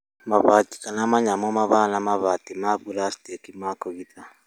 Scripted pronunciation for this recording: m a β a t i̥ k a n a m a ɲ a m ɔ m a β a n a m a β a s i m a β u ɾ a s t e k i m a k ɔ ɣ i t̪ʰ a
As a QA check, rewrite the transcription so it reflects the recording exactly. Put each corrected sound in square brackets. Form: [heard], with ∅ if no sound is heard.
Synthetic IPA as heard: m a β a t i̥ k a n a m a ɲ a m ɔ m a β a n a m a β a [t] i m a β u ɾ a s t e k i m a k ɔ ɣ i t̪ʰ a